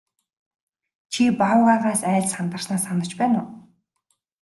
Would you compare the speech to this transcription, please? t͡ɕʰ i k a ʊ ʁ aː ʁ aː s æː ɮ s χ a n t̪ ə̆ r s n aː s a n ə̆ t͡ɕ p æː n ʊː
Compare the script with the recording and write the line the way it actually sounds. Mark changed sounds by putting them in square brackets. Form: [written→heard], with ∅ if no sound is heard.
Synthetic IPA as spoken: t͡ɕʰ i [k→p] a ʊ ʁ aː ʁ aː s æː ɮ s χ a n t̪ ə̆ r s n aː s a n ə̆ t͡ɕ p æː n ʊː

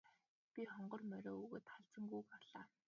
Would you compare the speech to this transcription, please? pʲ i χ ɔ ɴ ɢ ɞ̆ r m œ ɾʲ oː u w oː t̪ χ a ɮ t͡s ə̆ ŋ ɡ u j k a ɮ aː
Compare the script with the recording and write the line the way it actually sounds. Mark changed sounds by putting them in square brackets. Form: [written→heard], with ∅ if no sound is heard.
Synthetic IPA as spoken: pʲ i χ ɔ ɴ ɢ ɞ̆ r m œ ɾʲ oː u [w→ɣ] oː t̪ χ a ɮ t͡s ə̆ ŋ ɡ u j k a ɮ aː

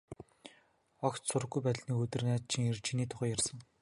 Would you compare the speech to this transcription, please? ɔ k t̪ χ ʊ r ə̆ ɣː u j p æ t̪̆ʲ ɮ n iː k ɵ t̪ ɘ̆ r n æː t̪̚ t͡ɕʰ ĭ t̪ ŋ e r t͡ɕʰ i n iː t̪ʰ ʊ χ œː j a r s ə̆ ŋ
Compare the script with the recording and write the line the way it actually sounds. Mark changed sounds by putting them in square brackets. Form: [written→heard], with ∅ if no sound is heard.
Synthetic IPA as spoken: ɔ k t̪ [χ→s] ʊ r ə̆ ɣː u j p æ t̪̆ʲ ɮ n iː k ɵ t̪ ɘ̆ r n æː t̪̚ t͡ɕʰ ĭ [t̪→∅] ŋ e r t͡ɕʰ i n iː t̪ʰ ʊ χ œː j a r s ə̆ ŋ

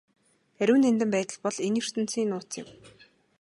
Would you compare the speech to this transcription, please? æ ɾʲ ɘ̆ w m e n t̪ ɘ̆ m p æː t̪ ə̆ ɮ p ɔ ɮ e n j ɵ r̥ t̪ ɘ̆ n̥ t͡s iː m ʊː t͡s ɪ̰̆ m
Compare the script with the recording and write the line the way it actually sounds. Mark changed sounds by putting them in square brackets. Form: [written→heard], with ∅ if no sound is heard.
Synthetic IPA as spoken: æ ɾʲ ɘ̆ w [m→n] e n t̪ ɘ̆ m p æː t̪ ə̆ ɮ p ɔ ɮ e n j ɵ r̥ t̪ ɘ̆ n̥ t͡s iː [m→n] ʊː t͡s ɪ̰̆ m

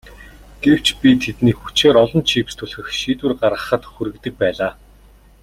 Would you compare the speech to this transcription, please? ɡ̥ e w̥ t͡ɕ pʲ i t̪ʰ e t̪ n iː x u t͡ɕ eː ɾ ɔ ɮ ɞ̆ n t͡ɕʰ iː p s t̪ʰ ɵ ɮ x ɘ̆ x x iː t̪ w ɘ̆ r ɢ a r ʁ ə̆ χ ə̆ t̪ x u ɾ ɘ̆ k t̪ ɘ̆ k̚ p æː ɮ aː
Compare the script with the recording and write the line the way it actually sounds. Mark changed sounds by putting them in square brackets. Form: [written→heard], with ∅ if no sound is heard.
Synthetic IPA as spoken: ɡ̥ e w̥ t͡ɕ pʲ i t̪ʰ e t̪ n iː x u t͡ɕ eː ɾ ɔ ɮ ɞ̆ n t͡ɕʰ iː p s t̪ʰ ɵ ɮ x ɘ̆ x [x→ʃ] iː t̪ w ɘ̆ r ɢ a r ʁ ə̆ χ ə̆ t̪ x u ɾ ɘ̆ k t̪ ɘ̆ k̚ p æː ɮ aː

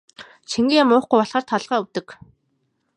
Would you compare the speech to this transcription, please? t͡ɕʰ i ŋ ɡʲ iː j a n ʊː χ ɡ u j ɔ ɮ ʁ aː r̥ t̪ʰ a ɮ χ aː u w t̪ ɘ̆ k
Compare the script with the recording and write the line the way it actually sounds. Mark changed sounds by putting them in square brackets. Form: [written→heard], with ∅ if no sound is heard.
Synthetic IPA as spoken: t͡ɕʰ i ŋ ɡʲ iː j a [n→m] ʊː χ ɡ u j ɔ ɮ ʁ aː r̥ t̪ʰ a ɮ [χ→ʁ] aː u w t̪ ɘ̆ k

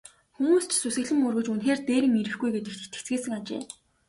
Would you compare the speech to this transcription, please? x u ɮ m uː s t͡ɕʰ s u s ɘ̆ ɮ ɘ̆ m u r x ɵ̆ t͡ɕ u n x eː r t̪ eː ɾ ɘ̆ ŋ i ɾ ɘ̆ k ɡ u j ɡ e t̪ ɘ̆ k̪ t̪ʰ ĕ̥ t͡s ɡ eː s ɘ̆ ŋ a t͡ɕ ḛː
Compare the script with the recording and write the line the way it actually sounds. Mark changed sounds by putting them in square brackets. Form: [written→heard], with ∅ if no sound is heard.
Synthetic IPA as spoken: x u [ɮ→∅] m uː s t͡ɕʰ s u s ɘ̆ ɮ ɘ̆ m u r [x→ɣ] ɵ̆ t͡ɕ u n x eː r t̪ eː ɾ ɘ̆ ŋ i ɾ ɘ̆ [k→x] ɡ u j ɡ e t̪ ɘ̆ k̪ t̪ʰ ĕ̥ t͡s ɡ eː s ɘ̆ ŋ a t͡ɕ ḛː

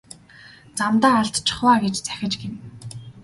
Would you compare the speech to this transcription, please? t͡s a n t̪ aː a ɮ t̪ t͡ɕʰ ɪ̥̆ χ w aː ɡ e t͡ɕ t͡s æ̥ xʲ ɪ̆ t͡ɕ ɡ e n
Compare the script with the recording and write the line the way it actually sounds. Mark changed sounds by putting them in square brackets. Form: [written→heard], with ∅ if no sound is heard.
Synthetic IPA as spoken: t͡s a [n→m] t̪ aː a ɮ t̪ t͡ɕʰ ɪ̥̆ χ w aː ɡ e t͡ɕ t͡s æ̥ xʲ ɪ̆ t͡ɕ ɡ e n

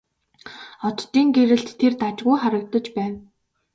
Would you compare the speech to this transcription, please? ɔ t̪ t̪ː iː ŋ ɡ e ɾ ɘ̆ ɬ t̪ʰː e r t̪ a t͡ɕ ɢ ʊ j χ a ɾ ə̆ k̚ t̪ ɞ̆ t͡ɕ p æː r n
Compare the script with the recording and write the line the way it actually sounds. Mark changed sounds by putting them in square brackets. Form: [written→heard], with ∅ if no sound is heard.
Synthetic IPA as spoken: ɔ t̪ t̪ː iː ŋ ɡ e ɾ ɘ̆ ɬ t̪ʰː e r t̪ a t͡ɕ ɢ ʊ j χ a ɾ ə̆ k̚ t̪ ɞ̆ t͡ɕ p æː [r→∅] n

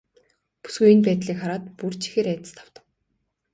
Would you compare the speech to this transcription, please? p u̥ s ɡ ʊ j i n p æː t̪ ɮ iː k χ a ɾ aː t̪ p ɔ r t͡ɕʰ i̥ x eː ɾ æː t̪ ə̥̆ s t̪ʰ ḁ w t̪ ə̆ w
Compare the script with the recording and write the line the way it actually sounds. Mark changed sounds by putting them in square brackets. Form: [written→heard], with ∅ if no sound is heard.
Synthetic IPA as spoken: p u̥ s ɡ [ʊ→u] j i n p æː t̪ ɮ iː k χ a ɾ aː t̪ p [ɔ→u] r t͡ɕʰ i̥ x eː ɾ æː t̪ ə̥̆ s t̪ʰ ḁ w t̪ ə̆ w

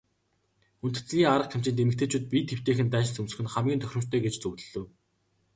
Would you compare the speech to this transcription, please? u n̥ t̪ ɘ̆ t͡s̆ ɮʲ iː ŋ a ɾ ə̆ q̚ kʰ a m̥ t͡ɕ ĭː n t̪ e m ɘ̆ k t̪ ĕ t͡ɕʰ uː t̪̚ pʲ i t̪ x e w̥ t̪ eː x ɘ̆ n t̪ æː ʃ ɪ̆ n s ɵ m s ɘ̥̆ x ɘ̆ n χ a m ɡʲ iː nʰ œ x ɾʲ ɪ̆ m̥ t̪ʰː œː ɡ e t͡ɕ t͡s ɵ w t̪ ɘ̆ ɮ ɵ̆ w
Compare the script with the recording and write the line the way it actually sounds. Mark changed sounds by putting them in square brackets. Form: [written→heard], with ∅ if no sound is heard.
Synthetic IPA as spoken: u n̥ t̪ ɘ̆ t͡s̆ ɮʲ iː ŋ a ɾ ə̆ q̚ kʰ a m̥ t͡ɕ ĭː n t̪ e m ɘ̆ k t̪ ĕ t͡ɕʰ uː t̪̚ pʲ i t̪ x e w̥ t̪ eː x ɘ̆ n t̪ æː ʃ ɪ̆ n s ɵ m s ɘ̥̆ x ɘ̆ n χ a m ɡʲ iː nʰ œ x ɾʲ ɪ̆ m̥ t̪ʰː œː ɡ e t͡ɕ t͡s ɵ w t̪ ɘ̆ ɮ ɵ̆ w

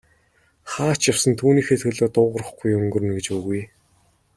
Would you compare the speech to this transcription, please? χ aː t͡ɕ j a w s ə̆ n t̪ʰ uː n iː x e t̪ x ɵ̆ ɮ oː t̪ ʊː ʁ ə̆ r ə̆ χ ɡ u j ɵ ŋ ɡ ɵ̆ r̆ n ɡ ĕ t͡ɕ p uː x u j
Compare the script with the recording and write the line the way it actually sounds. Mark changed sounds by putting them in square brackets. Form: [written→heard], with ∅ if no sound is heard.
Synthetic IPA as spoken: χ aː t͡ɕ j a w s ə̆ n t̪ʰ uː n iː x e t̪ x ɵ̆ ɮ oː t̪ ʊː ʁ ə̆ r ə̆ χ ɡ u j ɵ ŋ ɡ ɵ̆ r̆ n ɡ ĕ t͡ɕ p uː [x→ɣ] u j

